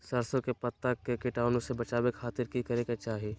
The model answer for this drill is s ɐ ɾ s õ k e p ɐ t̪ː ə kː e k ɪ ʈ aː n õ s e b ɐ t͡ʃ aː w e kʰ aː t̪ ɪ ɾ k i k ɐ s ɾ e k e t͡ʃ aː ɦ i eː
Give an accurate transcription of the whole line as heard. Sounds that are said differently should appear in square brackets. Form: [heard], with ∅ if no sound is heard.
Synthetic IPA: s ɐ ɾ s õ k e p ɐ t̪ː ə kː e k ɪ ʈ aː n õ s e b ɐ t͡ʃ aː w e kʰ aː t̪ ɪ ɾ k i k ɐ [∅] ɾ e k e t͡ʃ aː ɦ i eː